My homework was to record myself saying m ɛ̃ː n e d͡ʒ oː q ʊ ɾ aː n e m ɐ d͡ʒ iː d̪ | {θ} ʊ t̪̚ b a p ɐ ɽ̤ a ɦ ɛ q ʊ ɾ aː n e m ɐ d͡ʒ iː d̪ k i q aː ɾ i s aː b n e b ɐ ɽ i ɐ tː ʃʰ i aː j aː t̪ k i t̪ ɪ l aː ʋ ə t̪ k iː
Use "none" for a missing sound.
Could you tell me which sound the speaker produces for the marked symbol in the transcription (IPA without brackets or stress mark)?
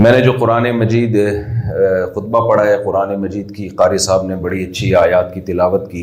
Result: x